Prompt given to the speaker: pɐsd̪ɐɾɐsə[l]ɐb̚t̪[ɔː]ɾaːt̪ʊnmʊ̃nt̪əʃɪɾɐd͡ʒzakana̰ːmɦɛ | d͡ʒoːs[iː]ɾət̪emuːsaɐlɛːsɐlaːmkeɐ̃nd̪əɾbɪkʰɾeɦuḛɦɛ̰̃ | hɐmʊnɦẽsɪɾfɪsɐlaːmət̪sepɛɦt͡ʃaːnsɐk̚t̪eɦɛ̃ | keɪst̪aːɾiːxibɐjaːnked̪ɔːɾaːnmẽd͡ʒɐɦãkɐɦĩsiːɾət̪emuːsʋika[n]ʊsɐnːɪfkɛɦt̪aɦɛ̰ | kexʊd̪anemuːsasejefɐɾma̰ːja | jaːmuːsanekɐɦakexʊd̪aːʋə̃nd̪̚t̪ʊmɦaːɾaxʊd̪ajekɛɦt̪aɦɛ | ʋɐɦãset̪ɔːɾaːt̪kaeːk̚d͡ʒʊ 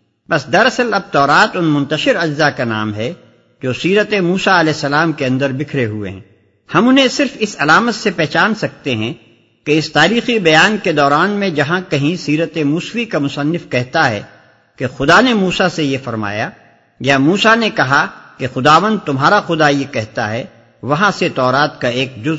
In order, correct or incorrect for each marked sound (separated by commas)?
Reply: correct, correct, correct, incorrect